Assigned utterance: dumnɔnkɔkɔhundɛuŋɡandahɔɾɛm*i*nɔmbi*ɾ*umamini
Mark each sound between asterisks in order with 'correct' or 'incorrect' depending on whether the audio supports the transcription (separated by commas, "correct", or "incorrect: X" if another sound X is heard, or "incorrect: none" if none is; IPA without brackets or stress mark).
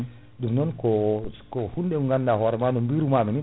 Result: incorrect: a, correct